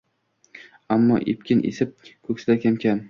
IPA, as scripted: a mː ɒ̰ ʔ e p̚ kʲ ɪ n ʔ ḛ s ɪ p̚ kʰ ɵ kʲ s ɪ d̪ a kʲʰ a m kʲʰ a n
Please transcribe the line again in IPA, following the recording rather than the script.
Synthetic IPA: a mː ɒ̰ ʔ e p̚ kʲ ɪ n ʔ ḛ s ɪ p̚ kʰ ɵ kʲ s ɪ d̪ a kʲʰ a m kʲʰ a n

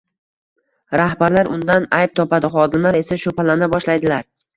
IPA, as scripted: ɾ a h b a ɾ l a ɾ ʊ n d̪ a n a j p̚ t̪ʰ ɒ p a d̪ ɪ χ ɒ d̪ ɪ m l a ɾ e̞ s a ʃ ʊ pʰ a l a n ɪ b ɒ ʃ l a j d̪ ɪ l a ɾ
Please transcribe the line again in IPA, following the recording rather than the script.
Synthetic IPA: ɾ a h b a ɾ l a ɾ ʊ n d̪ a n a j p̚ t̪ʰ ɒ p a d̪ ɪ χ ɒ d̪ ɪ m l a ɾ e̞ s a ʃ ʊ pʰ a l a n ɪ b ɒ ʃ l a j d̪ ɪ l a ɾ

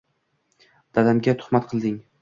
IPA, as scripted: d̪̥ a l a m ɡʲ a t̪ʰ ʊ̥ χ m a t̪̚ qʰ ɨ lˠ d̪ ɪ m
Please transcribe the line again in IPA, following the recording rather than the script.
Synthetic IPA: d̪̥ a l a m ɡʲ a t̪ʰ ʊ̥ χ m a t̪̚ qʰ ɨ lˠ d̪ ɪ ŋ

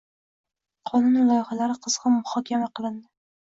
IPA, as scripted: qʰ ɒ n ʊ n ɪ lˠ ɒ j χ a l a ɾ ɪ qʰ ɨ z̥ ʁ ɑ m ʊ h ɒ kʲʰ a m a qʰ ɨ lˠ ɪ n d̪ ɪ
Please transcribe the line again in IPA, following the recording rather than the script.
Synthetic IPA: qʰ ɒ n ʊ n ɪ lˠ ɒ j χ a l a ɾ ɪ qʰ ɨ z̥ ʁ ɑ m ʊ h ɒ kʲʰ a m a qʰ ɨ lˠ ɪ n d̪ ɪ

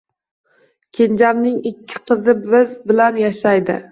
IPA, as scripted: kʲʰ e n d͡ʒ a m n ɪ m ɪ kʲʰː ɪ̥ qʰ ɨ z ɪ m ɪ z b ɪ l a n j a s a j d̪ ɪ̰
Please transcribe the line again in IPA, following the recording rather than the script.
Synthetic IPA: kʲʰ e n d͡ʒ a m n ɪ ŋ ɪ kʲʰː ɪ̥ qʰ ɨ z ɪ b ɪ z b ɪ l a n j a ʃ a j d̪ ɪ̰

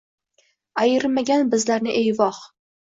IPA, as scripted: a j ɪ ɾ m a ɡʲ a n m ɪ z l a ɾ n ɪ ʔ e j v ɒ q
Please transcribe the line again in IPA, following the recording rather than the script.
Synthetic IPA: a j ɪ ɾ m a ɡʲ a n b ɪ z l a ɾ n ɪ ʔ e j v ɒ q

